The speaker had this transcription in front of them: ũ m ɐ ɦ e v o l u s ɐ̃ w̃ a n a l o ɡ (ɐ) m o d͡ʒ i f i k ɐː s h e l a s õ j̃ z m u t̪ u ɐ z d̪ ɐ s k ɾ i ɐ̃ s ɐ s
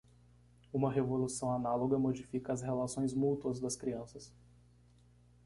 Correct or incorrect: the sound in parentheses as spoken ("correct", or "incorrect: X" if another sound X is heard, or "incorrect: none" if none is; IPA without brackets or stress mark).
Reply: correct